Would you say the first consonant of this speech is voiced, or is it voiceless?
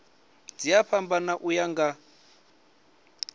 voiced